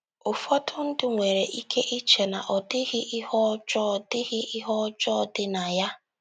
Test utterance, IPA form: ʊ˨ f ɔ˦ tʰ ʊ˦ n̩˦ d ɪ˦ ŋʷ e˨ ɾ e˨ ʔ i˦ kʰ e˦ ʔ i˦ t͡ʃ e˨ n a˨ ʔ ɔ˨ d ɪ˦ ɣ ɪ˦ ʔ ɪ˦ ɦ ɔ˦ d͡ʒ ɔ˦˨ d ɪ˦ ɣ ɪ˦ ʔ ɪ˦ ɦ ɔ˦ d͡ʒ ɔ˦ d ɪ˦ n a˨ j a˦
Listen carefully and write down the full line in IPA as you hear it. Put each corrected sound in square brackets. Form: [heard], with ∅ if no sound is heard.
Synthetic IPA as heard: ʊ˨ f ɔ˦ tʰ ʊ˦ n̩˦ d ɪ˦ ŋʷ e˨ ɾ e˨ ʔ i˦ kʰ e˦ ʔ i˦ t͡ʃ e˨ n a˨ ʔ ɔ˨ d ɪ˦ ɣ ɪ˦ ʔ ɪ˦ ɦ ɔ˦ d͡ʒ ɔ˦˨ d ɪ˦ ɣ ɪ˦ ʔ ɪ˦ ɦ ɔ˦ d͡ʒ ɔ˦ d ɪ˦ n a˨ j a˦